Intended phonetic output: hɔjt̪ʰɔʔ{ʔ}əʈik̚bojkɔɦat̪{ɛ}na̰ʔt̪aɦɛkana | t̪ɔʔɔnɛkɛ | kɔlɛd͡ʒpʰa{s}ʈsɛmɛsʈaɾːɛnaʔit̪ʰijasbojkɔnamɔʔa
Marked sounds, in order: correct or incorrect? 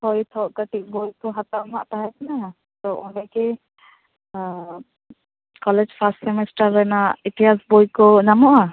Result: incorrect, incorrect, correct

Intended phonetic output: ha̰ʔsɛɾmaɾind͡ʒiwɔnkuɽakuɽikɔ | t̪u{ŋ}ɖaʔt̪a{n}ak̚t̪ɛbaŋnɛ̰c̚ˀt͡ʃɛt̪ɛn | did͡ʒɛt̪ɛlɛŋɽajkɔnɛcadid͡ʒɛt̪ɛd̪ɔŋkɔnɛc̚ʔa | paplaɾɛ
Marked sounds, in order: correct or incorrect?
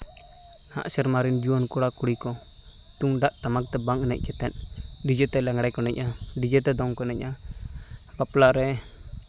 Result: correct, incorrect

